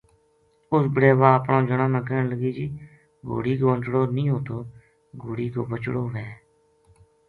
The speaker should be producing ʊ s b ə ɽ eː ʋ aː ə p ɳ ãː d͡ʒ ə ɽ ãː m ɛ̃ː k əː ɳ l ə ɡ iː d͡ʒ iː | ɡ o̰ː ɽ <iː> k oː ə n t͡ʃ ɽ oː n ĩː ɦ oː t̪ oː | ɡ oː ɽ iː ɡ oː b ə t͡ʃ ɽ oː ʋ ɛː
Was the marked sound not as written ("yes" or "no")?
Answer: no